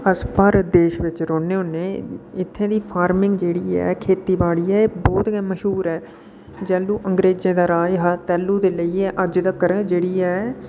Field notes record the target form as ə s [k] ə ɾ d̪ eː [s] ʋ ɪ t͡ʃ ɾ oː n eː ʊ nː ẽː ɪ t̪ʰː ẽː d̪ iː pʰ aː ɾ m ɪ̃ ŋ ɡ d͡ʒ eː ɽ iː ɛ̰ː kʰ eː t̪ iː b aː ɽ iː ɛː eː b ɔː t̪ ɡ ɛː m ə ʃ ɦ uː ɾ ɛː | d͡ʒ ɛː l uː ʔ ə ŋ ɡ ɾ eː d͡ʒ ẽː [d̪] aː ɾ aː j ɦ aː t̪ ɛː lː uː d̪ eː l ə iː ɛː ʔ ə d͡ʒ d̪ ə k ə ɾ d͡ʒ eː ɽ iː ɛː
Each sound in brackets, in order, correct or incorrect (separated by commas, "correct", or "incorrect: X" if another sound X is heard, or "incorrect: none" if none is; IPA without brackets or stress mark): incorrect: p, incorrect: ʃ, correct